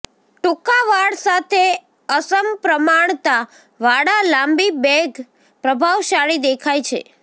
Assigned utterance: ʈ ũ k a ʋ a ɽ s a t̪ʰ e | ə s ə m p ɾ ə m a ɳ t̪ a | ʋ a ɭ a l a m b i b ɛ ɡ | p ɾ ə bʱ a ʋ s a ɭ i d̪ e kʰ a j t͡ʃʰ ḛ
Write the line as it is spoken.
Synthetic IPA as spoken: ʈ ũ k a ʋ a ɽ s a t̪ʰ e | ə s ə m p ɾ ə m a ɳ t̪ a | ʋ a ɽ a l a m b i b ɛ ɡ | p ɾ ə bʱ a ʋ ʃ a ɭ i d̪ e kʰ a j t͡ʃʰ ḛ